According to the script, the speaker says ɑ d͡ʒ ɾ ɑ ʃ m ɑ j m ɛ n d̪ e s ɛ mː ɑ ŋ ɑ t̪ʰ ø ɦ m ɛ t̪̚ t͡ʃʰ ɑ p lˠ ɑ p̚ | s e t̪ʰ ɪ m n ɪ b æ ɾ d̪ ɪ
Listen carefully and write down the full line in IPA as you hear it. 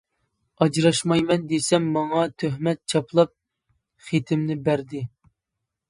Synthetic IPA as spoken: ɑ d͡ʒ ɾ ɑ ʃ m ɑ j m ɛ n d̪ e s ɛ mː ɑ ŋ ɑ t̪ʰ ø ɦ m ɛ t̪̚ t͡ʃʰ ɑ p lˠ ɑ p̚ | χ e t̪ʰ ɪ m n ɪ b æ ɾ d̪ ɪ